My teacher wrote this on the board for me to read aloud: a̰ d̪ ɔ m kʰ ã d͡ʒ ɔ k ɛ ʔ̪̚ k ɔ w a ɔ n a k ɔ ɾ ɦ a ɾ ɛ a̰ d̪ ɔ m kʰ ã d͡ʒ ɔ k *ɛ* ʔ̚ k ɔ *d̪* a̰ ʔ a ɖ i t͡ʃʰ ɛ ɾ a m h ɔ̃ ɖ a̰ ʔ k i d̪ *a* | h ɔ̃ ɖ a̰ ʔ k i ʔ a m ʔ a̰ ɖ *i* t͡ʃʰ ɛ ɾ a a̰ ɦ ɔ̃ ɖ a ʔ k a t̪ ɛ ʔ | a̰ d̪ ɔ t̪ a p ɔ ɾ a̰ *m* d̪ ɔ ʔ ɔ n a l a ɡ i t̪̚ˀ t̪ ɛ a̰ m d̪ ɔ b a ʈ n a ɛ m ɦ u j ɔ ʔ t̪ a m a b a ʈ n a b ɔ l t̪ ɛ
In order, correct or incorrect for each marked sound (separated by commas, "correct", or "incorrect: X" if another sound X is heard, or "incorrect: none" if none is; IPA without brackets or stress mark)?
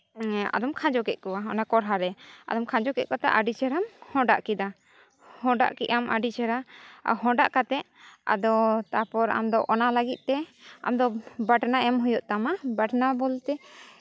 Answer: correct, incorrect: t̪, correct, correct, correct